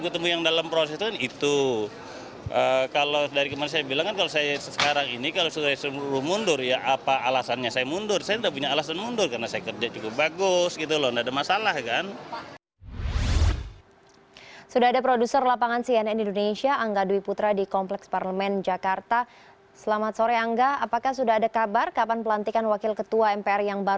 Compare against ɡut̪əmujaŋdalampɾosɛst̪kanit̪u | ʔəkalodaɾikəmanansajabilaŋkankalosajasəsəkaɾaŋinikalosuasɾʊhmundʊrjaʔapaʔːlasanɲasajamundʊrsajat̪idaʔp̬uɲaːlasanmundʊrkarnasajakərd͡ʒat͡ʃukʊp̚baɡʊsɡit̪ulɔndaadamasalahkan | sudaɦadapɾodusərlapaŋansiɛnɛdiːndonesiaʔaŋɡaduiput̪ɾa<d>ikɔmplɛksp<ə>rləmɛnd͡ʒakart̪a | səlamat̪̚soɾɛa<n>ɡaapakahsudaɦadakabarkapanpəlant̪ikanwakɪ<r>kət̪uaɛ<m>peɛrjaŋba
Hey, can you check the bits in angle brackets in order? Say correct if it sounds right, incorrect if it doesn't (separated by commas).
correct, incorrect, incorrect, incorrect, correct